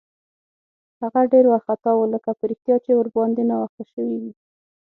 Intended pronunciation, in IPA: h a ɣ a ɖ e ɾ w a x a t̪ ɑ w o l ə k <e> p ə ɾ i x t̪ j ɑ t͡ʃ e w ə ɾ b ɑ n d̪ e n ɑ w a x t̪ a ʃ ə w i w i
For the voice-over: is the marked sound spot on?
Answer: no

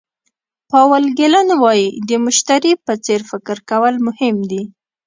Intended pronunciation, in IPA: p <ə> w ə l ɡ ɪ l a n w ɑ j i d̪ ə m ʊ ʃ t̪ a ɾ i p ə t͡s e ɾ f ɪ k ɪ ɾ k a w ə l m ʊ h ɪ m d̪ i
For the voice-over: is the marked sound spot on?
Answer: no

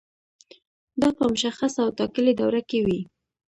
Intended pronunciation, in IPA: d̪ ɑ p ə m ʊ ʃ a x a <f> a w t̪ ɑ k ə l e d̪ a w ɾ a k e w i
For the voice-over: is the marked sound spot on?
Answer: no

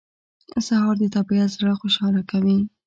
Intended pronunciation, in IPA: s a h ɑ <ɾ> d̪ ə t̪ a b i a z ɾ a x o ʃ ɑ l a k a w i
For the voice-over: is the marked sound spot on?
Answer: yes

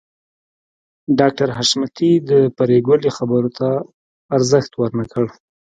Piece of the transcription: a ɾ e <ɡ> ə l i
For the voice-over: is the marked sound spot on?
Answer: yes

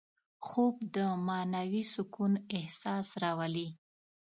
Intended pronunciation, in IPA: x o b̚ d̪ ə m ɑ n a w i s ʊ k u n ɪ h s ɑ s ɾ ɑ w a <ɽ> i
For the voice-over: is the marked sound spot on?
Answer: no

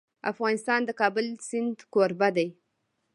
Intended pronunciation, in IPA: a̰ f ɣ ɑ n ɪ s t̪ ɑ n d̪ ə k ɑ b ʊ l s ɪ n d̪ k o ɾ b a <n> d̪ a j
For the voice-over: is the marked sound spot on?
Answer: no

